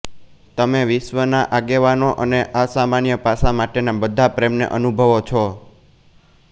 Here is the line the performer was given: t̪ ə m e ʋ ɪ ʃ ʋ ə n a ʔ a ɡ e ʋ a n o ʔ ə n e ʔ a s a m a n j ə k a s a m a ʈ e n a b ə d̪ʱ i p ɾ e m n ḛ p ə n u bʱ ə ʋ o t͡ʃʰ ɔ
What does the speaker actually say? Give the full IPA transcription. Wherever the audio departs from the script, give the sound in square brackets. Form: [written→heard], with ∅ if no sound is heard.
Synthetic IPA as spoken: t̪ ə m e ʋ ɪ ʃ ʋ ə n a ʔ a ɡ e ʋ a n o ʔ ə n e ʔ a s a m a n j ə [k→p] a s a m a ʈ e n a b ə d̪ʱ [i→a] p ɾ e m n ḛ [p→ʔ] ə n u bʱ ə ʋ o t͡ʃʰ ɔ